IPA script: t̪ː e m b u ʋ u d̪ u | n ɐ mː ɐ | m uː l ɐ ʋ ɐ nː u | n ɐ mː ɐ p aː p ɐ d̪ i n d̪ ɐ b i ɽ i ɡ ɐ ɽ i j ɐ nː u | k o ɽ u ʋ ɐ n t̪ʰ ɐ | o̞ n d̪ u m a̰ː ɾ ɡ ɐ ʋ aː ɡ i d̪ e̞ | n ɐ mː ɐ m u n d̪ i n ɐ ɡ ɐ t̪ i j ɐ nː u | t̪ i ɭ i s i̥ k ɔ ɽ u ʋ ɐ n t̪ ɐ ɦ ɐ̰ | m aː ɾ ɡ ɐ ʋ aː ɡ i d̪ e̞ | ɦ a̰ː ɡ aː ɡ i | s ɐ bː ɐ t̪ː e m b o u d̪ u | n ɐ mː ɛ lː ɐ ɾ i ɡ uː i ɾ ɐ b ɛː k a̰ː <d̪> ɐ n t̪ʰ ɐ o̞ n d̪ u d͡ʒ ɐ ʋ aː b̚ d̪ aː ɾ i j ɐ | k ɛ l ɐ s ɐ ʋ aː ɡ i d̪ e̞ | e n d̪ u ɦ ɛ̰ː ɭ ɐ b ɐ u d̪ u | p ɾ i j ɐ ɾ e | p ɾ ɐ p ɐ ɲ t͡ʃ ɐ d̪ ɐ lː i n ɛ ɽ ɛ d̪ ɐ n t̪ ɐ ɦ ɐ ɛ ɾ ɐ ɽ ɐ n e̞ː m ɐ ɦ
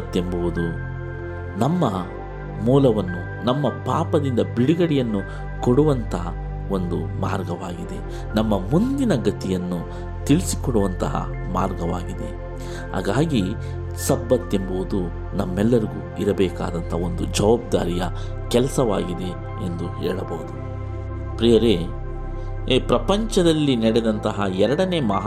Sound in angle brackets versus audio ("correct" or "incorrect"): correct